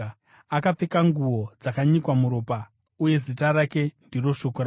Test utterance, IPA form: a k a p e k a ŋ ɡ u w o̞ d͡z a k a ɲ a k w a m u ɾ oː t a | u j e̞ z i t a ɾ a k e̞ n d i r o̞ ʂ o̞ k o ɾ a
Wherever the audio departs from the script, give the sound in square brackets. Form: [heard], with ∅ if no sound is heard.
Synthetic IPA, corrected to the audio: a k a [p͡f] e k a ŋ ɡ u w o̞ d͡z a k a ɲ [i] k w a m u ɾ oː [p] a | u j e̞ z i t a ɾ a k e̞ n d i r o̞ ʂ o̞ k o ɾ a

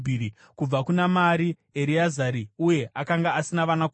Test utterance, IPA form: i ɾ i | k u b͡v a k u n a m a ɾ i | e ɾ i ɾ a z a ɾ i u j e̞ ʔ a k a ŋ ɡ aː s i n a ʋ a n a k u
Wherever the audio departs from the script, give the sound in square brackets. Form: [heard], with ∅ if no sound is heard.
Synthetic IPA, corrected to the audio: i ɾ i | k u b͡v a k u n a m a ɾ i | e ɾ i [∅] a z a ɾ i u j e̞ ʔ a k a ŋ ɡ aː s i n a ʋ a n a k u

